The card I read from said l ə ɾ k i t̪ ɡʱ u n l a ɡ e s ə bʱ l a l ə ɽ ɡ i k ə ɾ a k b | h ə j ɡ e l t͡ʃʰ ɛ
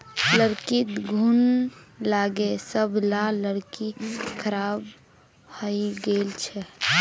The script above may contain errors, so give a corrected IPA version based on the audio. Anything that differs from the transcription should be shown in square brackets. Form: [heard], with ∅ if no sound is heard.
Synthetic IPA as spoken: l ə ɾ k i t̪ ɡʱ u n l a ɡ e s ə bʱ l a l ə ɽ [k] i [kʰ] ə ɾ a [∅] b | h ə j ɡ e l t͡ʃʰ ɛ